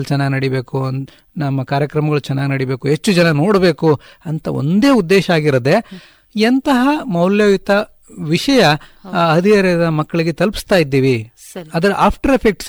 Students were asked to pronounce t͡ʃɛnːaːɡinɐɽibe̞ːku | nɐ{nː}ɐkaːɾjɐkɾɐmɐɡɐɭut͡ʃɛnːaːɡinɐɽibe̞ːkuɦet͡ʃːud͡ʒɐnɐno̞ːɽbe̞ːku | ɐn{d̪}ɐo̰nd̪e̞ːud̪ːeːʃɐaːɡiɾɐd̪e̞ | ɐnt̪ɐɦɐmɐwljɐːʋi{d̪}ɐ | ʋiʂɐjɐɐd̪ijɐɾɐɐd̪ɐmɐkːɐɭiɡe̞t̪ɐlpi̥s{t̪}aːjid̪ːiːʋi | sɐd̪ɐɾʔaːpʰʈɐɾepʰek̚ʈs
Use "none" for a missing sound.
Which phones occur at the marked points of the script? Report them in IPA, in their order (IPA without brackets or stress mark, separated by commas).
mː, t̪, t̪, t̪